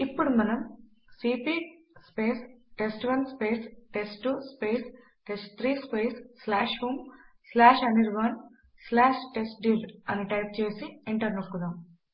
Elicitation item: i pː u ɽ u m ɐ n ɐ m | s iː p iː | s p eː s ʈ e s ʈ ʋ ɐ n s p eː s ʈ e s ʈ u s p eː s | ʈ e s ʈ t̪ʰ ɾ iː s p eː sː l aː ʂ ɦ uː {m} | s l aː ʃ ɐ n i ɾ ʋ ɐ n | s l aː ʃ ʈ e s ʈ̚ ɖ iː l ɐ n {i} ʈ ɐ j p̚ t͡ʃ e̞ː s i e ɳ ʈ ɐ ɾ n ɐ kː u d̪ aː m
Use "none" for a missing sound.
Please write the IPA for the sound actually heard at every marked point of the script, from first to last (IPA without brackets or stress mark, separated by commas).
m, i